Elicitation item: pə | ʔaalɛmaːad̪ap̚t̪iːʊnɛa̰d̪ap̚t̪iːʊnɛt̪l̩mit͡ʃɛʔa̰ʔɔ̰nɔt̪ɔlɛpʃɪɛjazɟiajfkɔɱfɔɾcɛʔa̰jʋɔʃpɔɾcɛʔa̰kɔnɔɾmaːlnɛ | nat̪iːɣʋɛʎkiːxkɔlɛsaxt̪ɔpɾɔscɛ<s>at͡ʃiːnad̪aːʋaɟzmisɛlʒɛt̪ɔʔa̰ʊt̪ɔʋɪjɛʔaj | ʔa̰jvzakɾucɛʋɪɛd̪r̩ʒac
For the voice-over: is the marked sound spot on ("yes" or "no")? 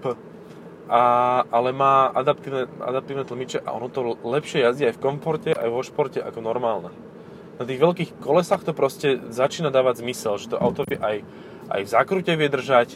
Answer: no